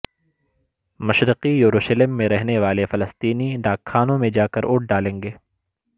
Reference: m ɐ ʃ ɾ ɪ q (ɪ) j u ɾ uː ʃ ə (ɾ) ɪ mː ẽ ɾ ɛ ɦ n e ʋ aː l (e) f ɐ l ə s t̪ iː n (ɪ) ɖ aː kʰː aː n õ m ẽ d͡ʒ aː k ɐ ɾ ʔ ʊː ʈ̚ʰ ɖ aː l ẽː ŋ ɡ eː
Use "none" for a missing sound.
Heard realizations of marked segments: i, l, e, i

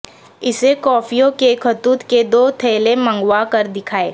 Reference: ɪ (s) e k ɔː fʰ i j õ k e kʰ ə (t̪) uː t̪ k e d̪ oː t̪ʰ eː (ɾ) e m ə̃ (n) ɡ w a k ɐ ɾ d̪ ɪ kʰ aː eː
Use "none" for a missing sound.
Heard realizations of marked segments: s, t̪, l, ŋ

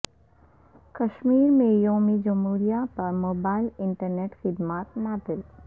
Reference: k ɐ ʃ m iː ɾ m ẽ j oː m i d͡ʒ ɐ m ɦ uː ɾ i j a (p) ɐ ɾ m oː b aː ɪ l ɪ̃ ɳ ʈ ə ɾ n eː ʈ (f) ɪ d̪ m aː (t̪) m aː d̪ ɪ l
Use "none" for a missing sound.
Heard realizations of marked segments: p, x, t̪

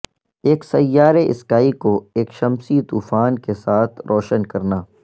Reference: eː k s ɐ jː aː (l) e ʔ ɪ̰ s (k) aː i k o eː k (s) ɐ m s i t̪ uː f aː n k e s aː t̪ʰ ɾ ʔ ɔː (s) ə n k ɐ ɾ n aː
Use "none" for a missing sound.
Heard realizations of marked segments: ɾ, k, ʃ, ʃ

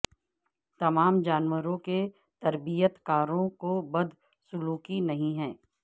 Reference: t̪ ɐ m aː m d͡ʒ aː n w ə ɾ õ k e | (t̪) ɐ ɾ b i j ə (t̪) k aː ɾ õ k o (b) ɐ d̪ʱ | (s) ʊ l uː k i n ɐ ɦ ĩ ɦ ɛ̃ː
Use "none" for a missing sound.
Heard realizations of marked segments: t̪, t̪, b, s

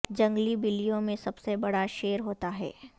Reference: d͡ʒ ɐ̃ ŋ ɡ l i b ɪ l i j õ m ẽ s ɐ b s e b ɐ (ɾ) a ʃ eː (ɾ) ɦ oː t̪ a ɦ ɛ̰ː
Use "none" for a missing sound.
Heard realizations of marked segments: ɽ, ɾ

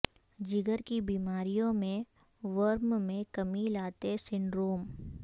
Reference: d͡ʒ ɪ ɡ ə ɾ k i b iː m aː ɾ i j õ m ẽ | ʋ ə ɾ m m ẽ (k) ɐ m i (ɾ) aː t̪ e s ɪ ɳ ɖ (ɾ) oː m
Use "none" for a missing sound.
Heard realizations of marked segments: k, l, ɾ

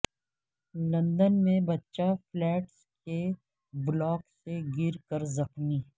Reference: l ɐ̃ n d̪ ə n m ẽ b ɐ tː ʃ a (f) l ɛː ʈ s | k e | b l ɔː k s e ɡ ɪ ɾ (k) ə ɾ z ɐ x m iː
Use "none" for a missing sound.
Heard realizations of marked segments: f, k

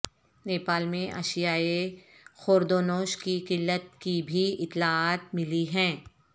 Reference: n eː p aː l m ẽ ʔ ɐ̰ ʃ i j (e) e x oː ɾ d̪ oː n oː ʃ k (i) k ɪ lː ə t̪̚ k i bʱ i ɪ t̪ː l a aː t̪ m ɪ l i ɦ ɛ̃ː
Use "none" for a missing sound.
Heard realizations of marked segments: a, i

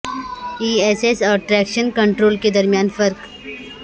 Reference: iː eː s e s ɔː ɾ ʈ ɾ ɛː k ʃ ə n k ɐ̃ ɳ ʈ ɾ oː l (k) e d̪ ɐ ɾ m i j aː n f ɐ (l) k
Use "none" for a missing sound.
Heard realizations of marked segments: k, ɾ

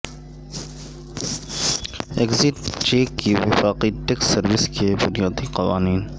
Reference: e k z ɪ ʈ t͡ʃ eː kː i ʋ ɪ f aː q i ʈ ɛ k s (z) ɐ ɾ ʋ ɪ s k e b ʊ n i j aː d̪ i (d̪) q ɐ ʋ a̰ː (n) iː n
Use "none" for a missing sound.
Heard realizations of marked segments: s, none, n

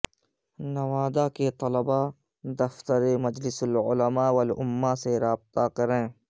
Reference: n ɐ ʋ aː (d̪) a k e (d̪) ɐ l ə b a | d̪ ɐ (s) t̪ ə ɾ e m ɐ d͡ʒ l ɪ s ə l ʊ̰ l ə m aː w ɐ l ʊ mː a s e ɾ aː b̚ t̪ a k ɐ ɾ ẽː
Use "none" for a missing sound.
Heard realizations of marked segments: d̪, t̪, f

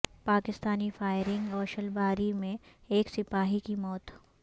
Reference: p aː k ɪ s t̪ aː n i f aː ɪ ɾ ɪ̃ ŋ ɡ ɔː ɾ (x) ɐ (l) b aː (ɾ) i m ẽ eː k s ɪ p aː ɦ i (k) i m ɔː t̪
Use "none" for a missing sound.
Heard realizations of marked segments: ʃ, l, ɾ, k

